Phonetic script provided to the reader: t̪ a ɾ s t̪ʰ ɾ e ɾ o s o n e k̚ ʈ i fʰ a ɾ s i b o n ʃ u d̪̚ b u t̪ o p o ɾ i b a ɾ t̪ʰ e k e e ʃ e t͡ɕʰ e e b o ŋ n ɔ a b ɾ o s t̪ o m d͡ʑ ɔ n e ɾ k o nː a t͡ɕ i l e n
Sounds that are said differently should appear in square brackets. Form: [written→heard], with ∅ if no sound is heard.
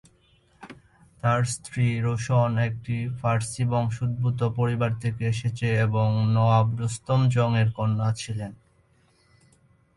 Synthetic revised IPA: t̪ a ɾ s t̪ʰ ɾ [e→i] ɾ o [s→ʃ] o n e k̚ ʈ i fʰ a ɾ s i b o [n→ŋ] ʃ u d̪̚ b u t̪ o p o ɾ i b a ɾ t̪ʰ e k e e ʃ e t͡ɕʰ e e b o ŋ n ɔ a b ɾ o s t̪ o m d͡ʑ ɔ [n→ŋ] e ɾ k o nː a [t͡ɕ→t͡ɕʰ] i l e n

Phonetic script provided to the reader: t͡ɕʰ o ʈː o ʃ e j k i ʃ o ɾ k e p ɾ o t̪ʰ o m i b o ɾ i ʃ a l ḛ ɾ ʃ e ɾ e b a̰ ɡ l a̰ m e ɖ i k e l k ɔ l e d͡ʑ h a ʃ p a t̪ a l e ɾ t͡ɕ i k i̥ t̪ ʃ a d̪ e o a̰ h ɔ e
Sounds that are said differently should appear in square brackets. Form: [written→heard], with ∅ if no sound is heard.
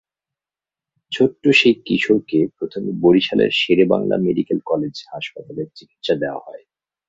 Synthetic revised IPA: t͡ɕʰ o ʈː o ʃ e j k i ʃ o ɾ k e p ɾ o t̪ʰ o m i b o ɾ i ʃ a l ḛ ɾ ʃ e ɾ e b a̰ [ɡ→ŋ] l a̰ m e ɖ i k e l k ɔ l e d͡ʑ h a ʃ p a t̪ a l e ɾ t͡ɕ i k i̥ t̪ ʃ a d̪ e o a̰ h ɔ e

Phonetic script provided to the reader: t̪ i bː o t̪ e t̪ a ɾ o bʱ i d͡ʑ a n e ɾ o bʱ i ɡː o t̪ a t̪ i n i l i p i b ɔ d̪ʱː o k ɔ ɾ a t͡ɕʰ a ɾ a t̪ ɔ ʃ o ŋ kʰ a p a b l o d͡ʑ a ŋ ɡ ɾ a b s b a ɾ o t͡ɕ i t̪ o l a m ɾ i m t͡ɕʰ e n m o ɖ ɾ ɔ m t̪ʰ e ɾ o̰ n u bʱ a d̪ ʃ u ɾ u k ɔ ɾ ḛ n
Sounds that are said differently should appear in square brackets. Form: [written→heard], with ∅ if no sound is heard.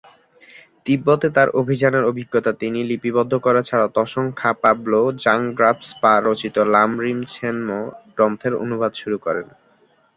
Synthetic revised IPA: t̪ i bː o t̪ e t̪ a ɾ o bʱ i d͡ʑ a n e ɾ o bʱ i ɡː o t̪ a t̪ i n i l i p i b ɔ d̪ʱː o k ɔ ɾ a t͡ɕʰ a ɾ a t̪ ɔ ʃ o ŋ kʰ a p a b l o d͡ʑ a ŋ ɡ ɾ a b s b a ɾ o t͡ɕ i t̪ o l a m ɾ i m t͡ɕʰ e n m o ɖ ɾ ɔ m t̪ʰ e ɾ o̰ n u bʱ a d̪ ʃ u ɾ u k ɔ ɾ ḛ n

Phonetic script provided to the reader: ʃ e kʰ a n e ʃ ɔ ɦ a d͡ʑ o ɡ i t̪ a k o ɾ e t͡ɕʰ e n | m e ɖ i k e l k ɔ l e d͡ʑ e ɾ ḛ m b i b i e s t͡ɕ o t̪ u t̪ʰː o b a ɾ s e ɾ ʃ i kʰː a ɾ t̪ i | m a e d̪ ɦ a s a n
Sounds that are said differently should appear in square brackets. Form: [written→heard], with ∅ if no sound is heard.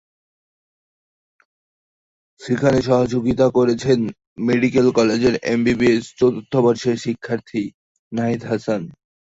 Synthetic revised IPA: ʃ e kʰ a n e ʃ ɔ ɦ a d͡ʑ o ɡ i t̪ a k o ɾ e t͡ɕʰ e n | m e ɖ i k e l k ɔ l e d͡ʑ e ɾ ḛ m b i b i e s t͡ɕ o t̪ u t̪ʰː o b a ɾ [s→ʃ] e ɾ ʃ i kʰː a ɾ [t̪→t̪ʰ] i | [m→n] a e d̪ ɦ a s a n

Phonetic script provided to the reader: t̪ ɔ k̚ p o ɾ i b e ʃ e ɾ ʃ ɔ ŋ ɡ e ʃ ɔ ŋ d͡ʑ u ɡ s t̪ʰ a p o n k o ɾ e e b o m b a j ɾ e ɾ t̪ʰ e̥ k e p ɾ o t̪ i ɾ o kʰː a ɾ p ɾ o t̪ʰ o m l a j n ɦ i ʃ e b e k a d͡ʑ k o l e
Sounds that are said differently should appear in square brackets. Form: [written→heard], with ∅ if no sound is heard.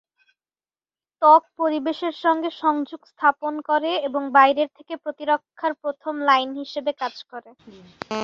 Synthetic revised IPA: t̪ ɔ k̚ p o ɾ i b e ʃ e ɾ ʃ ɔ ŋ ɡ e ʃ ɔ ŋ d͡ʑ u ɡ s t̪ʰ a p o n k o ɾ e e b o [m→ŋ] b a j ɾ e ɾ t̪ʰ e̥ k e p ɾ o t̪ i ɾ o kʰː a ɾ p ɾ o t̪ʰ o m l a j n ɦ i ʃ e b e k a d͡ʑ k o [l→ɾ] e

